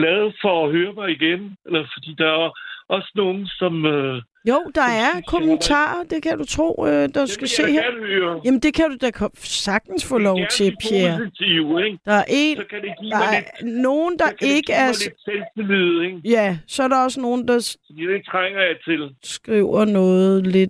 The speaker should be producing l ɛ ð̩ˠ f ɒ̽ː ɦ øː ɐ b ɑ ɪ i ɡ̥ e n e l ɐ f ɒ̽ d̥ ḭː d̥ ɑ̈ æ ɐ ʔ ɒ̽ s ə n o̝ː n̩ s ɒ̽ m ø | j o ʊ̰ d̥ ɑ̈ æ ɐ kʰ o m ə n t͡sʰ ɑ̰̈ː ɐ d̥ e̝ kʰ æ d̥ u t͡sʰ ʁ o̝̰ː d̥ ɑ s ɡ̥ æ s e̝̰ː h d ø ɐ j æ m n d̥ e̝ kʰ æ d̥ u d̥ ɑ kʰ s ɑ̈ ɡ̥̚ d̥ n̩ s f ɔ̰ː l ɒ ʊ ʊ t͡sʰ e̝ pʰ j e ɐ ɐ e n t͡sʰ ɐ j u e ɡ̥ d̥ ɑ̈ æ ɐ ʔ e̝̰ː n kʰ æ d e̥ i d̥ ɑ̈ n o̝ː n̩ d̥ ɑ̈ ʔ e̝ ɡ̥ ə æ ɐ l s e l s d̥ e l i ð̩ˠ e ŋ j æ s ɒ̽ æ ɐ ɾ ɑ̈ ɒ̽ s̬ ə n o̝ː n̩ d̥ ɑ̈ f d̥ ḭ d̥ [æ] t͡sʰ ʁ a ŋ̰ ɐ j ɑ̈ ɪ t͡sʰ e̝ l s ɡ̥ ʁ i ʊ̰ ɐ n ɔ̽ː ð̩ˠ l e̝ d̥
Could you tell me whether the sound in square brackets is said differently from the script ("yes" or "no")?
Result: yes